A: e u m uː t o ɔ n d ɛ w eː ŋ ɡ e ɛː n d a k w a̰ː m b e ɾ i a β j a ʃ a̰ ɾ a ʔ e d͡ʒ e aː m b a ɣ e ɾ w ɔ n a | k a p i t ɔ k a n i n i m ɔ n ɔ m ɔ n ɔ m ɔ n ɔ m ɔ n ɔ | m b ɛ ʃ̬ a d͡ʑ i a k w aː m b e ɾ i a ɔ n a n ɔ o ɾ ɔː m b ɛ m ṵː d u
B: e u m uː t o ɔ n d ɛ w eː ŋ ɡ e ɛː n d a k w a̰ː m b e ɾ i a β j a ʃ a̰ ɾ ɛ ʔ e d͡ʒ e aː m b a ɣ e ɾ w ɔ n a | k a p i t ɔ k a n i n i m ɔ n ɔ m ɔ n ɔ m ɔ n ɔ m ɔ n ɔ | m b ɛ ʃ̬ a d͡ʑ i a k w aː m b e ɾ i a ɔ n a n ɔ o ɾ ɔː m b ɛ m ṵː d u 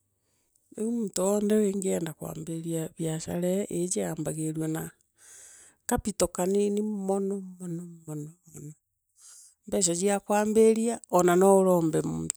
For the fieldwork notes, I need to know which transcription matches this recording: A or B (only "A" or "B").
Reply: B